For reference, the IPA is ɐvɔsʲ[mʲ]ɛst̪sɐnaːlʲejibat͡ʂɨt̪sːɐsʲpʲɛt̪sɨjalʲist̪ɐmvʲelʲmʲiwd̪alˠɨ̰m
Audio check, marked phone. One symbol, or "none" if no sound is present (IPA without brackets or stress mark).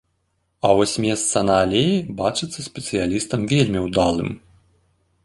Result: mʲ